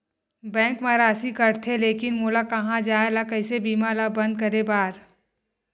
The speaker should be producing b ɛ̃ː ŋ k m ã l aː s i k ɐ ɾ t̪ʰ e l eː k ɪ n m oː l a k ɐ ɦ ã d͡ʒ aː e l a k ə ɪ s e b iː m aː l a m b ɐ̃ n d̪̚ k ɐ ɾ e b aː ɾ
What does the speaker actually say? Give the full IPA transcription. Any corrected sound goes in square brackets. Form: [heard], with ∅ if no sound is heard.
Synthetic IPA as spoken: b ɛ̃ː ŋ k m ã [ɾ] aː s i k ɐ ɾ t̪ʰ e l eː k ɪ n m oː l a k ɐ ɦ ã d͡ʒ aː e l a k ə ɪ s e b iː m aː l a [∅] b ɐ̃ n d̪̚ k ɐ ɾ e b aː ɾ